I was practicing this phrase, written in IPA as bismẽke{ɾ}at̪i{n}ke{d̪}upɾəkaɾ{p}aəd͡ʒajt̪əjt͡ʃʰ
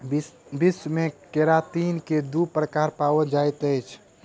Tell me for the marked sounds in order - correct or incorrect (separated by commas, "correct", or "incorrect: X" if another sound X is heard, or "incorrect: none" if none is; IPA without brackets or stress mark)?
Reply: correct, correct, correct, correct